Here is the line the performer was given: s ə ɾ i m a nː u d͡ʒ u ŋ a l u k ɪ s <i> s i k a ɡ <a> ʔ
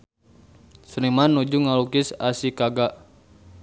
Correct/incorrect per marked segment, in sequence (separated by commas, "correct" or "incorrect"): incorrect, correct